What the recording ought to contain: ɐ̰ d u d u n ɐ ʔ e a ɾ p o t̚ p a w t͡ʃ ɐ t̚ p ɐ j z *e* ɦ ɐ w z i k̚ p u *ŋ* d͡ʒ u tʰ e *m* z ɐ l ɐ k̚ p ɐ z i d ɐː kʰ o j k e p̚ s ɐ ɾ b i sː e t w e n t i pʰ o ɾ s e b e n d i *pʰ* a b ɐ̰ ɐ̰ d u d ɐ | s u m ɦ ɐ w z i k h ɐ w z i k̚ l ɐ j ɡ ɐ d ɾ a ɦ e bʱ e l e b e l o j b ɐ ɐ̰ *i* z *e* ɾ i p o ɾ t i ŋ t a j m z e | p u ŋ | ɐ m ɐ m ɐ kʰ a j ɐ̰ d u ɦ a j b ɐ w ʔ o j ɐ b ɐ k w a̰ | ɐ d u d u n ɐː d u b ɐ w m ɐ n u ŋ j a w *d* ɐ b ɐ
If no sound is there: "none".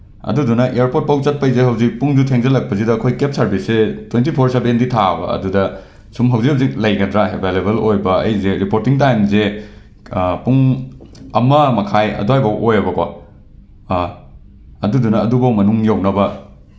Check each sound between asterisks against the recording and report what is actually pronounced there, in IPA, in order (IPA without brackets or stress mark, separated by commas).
e, ŋ, ŋ, tʰ, j, e, n